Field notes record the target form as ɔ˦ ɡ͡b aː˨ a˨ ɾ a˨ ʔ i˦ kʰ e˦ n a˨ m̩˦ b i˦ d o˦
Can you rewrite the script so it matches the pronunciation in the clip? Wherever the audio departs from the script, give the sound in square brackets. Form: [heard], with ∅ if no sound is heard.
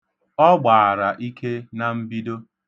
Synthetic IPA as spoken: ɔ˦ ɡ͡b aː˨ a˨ ɾ a˨ ʔ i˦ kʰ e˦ n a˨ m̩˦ b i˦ d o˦